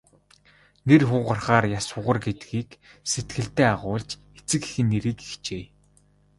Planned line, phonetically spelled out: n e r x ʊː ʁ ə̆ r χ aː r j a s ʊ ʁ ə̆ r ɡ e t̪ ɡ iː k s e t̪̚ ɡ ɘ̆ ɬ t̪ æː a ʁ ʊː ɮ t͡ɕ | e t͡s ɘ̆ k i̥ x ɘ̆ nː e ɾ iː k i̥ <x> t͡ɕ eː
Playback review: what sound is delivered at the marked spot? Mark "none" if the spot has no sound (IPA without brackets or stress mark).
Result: x